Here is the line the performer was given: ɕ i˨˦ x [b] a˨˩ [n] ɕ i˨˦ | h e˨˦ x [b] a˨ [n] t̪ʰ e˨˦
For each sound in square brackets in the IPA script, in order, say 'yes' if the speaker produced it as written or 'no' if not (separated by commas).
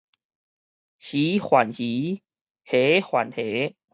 no, yes, no, yes